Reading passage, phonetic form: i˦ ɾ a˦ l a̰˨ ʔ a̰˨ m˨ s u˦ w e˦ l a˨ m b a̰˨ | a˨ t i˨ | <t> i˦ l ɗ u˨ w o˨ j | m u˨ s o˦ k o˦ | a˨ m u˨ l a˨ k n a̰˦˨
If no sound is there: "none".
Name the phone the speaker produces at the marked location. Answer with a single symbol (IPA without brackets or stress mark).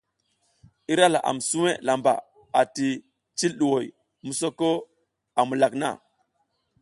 t͡ʃ